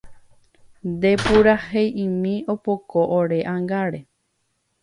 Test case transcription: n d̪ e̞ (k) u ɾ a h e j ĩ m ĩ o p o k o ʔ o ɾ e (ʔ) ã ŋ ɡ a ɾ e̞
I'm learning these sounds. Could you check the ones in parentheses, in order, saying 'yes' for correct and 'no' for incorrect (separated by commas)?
no, yes